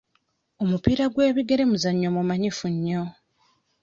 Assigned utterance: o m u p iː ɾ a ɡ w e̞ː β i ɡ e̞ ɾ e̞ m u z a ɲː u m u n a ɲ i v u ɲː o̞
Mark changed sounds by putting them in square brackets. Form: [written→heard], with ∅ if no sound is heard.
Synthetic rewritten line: o m u p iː ɾ a ɡ w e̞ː β i ɡ e̞ ɾ e̞ m u z a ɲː [u→o] m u [n→m] a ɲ i [v→f] u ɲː o̞